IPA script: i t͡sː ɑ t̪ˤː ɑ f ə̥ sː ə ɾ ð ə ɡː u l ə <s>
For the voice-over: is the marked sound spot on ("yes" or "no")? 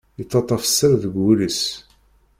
yes